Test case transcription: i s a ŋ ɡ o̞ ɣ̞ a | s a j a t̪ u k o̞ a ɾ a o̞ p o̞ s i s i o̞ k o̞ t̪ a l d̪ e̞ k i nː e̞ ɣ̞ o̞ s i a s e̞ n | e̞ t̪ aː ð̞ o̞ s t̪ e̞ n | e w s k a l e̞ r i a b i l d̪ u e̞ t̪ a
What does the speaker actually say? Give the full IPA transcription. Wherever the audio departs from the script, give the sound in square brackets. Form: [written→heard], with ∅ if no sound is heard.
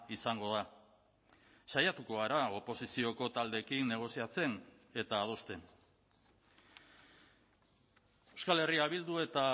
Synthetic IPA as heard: i s a ŋ ɡ o̞ [ɣ̞→ð̞] a | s a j a t̪ u k o̞ a ɾ a o̞ p o̞ s i s i o̞ k o̞ t̪ a l d̪ e̞ k i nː e̞ ɣ̞ o̞ s i a [s→t͡s] e̞ n | e̞ t̪ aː ð̞ o̞ s t̪ e̞ n | e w s k a l e̞ r i a [b→β] i l d̪ u e̞ t̪ a